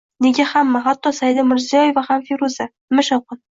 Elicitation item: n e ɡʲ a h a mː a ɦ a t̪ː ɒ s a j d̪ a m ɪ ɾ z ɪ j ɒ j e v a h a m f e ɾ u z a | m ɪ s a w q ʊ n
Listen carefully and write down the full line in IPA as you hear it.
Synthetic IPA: n e ɡʲ a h a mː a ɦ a t̪ː ɒ s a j d̪ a m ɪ ɾ z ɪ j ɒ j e v a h a m f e ɾ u z a | m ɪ ʃ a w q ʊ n